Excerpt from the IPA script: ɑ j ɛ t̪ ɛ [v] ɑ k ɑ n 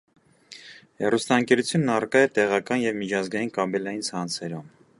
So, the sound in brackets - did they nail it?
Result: no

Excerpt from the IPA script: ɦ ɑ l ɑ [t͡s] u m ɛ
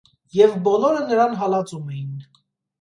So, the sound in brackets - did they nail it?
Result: yes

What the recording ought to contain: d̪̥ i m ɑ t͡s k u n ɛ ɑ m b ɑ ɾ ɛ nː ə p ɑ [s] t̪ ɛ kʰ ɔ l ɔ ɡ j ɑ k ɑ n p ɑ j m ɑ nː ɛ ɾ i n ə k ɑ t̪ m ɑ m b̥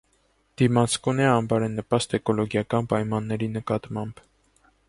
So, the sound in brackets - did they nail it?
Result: yes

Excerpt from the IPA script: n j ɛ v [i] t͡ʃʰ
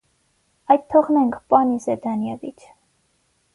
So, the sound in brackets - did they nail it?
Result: yes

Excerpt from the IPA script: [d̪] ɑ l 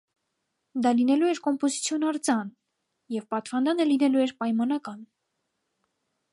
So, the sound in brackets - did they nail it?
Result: yes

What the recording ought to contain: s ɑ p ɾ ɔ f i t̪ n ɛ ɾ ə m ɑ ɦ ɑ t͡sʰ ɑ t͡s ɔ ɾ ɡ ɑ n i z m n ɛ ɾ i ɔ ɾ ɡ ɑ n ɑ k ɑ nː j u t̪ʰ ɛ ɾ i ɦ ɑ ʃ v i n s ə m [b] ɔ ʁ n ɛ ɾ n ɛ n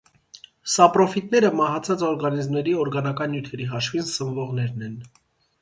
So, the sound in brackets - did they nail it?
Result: no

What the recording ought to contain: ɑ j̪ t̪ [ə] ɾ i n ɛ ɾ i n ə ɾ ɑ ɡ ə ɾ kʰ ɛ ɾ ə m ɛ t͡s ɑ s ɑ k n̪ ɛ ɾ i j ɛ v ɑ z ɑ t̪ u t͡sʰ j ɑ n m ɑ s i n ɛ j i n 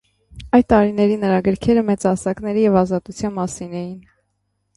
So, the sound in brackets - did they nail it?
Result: no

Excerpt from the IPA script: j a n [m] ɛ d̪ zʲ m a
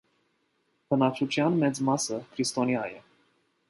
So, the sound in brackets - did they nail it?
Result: yes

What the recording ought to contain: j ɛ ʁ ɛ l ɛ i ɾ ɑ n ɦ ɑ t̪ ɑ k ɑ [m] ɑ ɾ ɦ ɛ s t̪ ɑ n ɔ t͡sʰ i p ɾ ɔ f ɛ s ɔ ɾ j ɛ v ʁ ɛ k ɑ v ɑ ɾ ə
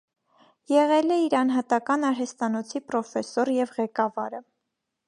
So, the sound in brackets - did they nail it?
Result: no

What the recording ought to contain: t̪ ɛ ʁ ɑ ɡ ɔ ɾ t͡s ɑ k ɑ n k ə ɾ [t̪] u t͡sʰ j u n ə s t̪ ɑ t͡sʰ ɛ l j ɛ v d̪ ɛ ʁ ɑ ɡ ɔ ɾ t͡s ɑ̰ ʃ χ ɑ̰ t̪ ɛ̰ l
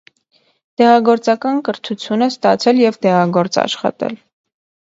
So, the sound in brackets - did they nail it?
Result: no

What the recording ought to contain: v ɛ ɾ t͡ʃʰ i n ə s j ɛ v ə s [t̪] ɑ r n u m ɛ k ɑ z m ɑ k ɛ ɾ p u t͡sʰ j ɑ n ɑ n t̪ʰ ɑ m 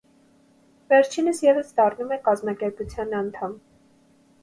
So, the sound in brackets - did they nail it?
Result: no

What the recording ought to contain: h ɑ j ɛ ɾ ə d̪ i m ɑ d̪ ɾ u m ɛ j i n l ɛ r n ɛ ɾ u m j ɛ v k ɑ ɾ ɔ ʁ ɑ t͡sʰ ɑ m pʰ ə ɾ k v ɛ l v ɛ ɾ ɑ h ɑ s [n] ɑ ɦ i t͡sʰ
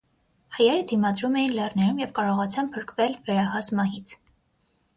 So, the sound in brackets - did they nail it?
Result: no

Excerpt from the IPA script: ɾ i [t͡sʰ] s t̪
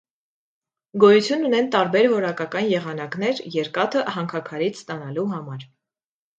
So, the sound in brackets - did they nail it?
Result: yes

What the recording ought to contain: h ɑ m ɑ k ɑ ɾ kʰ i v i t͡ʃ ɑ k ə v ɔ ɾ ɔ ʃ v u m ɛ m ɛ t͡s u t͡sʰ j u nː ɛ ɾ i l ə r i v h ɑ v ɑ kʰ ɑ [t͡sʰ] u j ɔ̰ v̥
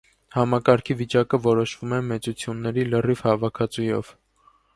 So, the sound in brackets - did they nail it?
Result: no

